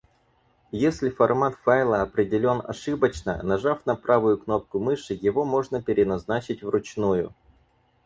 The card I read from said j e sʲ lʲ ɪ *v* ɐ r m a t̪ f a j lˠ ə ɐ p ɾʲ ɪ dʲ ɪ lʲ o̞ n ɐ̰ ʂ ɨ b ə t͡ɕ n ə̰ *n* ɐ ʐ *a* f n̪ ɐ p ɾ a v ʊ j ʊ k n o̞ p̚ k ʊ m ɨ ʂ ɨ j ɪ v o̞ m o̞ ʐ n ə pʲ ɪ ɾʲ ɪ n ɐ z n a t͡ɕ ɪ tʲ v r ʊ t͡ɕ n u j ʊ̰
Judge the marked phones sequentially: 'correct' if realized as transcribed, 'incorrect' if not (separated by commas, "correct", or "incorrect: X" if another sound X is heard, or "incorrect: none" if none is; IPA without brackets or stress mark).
incorrect: f, correct, correct